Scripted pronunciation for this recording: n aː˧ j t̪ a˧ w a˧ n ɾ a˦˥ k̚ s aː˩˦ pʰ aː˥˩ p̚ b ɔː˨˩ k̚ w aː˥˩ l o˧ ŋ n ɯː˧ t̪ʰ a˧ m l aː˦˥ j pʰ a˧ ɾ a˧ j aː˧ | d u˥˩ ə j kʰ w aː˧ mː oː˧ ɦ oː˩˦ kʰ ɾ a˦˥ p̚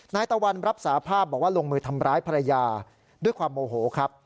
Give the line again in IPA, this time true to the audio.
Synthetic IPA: n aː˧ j t̪ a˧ w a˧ n ɾ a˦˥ p̚ s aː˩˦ pʰ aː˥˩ p̚ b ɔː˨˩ k̚ w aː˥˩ l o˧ ŋ m ɯː˧ t̪ʰ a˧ m ɾ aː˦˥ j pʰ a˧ ɾ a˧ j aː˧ | d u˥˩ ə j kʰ w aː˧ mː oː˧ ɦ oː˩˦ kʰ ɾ a˦˥ p̚

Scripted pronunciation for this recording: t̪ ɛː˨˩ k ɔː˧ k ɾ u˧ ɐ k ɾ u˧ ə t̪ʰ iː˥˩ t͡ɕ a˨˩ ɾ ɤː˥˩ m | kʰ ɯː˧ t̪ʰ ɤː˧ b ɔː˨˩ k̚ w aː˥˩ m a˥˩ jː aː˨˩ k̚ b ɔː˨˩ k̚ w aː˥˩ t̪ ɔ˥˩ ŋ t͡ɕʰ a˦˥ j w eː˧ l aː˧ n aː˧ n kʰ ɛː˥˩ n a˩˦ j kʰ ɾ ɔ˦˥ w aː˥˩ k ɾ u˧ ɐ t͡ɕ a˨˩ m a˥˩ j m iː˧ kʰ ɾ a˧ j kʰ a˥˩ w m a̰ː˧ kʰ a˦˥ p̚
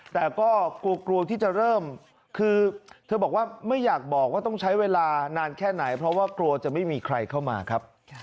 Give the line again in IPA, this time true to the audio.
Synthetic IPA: t̪ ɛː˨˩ k ɔː˥˩ k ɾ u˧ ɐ k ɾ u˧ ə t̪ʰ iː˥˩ t͡ɕ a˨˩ ɾ ɤː˥˩ m | kʰ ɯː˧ t̪ʰ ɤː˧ b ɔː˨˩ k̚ w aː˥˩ m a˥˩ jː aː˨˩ k̚ b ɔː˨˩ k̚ w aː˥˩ t̪ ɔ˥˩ ŋ t͡ɕʰ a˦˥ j w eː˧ l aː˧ n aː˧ n kʰ ɛː˥˩ n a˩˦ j pʰ ɾ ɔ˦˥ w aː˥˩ k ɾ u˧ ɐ t͡ɕ a˨˩ m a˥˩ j m iː˧ kʰ ɾ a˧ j kʰ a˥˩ w m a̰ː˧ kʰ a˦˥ p̚

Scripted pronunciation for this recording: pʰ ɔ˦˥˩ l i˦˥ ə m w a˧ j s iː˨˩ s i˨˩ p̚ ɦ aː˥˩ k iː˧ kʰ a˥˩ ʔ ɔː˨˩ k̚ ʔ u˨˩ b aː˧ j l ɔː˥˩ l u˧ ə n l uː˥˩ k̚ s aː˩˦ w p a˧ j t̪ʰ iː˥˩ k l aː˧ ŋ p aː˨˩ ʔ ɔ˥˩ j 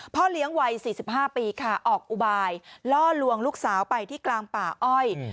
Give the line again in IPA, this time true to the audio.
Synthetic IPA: pʰ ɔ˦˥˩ l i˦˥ ə ŋ w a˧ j s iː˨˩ s i˨˩ p̚ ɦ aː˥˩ p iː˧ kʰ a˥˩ ʔ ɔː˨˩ k̚ ʔ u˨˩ b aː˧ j l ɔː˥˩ l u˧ ə ŋ l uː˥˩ k̚ s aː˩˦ w p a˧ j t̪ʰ iː˥˩ k l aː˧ ŋ p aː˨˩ ʔ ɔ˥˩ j

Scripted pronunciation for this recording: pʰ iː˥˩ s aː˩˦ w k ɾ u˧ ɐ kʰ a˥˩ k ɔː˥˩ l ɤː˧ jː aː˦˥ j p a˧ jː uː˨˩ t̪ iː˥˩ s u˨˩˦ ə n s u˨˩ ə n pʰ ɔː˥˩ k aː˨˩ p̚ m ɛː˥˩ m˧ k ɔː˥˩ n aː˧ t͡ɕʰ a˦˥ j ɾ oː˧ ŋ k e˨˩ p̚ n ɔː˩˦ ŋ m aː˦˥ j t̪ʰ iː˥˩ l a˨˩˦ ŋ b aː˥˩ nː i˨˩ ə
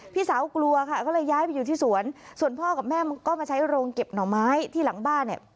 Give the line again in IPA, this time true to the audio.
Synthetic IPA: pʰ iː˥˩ s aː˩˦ w k l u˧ ɐ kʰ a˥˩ k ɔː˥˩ l ɤː˧ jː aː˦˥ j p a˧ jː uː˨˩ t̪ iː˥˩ s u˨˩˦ ə n s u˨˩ ə n pʰ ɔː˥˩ k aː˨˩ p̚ m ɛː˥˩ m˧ k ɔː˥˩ m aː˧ t͡ɕʰ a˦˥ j ɾ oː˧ ŋ k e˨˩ p̚ n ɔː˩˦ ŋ m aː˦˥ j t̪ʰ iː˥˩ l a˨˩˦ ŋ b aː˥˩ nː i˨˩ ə

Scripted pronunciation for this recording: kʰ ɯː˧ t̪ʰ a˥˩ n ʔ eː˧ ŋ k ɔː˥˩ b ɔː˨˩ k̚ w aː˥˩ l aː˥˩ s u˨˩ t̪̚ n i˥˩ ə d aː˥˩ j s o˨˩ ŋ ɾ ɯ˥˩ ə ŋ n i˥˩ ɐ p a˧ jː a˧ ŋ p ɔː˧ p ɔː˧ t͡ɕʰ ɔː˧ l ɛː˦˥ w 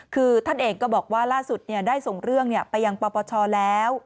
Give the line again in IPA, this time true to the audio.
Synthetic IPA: kʰ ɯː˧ t̪ʰ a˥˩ n ʔ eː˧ ŋ k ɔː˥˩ b ɔː˨˩ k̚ w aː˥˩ l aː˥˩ s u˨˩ t̪̚ n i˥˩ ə d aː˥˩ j s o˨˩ ŋ ɾ ɯ˥˩ ə ŋ n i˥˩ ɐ p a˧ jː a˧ ŋ p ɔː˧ p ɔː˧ t͡ɕʰ ɔː˧ l ɛː˦˥ w

